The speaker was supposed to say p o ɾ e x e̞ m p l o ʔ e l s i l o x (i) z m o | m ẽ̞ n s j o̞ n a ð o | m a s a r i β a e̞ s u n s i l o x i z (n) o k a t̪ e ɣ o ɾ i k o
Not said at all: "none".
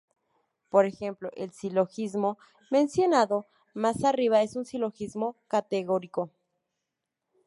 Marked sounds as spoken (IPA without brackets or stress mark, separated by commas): i, m